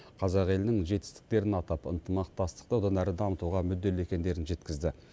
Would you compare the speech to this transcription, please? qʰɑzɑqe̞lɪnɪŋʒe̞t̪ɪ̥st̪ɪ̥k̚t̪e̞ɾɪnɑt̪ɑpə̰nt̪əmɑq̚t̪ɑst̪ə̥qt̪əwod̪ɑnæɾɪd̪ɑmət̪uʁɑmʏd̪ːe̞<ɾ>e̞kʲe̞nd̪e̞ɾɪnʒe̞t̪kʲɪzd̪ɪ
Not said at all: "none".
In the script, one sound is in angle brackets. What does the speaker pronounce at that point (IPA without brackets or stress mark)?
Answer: l